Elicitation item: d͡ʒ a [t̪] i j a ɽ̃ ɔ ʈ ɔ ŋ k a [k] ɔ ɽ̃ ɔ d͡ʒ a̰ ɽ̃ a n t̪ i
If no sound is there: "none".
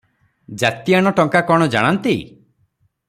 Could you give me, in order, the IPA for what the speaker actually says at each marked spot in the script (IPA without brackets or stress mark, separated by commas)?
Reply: t̪, k